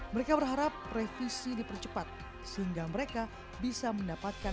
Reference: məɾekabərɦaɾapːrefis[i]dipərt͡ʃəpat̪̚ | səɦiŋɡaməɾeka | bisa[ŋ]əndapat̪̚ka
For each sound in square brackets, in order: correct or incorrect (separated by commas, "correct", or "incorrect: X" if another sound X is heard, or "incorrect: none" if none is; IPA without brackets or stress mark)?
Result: correct, incorrect: m